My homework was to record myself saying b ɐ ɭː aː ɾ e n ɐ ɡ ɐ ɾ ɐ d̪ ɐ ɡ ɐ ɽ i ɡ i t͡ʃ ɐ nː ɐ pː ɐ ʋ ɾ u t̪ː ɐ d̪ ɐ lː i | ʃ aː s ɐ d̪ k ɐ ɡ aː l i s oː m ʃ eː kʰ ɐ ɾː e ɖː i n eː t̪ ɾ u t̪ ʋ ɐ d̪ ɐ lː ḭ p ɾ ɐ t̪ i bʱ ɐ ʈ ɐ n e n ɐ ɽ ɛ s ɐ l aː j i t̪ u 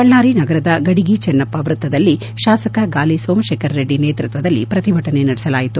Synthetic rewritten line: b ɐ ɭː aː ɾ i n ɐ ɡ ɐ ɾ ɐ d̪ ɐ ɡ ɐ ɽ i ɡ i t͡ʃ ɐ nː ɐ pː ɐ ʋ ɾ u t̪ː ɐ d̪ ɐ lː i | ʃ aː s ɐ k ɐ ɡ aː l i s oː m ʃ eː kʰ ɐ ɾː e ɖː i n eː t̪ ɾ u t̪ ʋ ɐ d̪ ɐ lː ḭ p ɾ ɐ t̪ i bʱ ɐ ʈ ɐ n e n ɐ ɽ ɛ s ɐ l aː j i t̪ u